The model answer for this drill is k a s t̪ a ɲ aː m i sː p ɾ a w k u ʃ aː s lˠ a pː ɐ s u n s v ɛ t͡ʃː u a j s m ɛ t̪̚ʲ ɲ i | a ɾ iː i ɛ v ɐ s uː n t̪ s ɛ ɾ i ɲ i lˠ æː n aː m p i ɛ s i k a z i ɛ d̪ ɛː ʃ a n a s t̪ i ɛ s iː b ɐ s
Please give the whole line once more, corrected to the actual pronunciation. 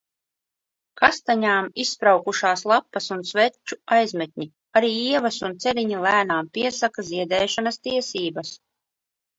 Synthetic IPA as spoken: k a s t̪ a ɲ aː m i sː p ɾ a w k u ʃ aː s lˠ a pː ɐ s u n s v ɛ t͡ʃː u a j z m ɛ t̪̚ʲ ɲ i | a ɾ iː i ɛ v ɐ s u n t̪ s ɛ ɾ i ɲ i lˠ æː n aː m p i ɛ s a k a z i ɛ d̪ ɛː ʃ a n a s t̪ i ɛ s iː b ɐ s